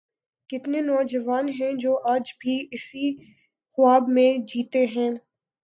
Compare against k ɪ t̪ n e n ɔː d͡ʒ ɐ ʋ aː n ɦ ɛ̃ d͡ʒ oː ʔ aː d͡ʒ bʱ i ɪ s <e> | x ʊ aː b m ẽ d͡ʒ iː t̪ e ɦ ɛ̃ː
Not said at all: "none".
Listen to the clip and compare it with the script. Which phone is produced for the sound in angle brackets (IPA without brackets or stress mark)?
i